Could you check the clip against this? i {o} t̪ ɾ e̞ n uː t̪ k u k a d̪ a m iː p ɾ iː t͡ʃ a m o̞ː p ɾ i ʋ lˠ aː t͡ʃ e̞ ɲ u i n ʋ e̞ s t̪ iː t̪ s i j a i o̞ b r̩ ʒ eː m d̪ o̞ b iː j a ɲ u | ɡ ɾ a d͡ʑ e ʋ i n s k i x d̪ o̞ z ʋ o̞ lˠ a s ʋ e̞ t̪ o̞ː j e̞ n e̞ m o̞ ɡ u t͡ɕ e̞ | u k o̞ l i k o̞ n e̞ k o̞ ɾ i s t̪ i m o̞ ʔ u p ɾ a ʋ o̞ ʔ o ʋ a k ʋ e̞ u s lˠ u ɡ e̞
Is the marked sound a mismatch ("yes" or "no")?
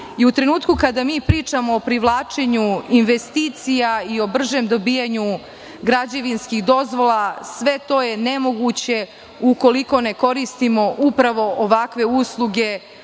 yes